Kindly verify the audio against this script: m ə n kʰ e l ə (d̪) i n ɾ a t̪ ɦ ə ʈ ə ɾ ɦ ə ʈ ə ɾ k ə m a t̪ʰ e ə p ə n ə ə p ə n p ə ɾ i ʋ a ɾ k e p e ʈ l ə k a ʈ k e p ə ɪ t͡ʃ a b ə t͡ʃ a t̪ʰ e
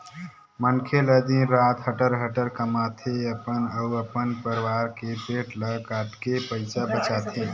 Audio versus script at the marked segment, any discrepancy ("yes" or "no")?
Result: no